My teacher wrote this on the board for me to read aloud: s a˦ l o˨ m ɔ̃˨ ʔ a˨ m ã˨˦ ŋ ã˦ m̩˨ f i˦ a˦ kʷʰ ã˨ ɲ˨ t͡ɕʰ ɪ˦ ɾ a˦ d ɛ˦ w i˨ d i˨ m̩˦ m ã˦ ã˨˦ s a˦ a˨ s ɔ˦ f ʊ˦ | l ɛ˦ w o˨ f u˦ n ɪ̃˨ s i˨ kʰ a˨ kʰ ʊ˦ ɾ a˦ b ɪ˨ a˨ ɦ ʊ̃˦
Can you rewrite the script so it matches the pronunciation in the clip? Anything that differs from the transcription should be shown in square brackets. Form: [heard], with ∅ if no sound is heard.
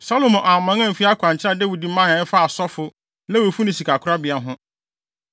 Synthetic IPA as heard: s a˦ l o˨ m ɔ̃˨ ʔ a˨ m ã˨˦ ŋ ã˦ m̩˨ f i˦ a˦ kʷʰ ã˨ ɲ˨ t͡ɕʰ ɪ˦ ɾ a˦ d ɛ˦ w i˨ d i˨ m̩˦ m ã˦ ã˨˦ [f] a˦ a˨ s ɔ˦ f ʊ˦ | l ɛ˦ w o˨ f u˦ n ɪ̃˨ s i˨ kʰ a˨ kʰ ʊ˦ ɾ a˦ b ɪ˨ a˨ ɦ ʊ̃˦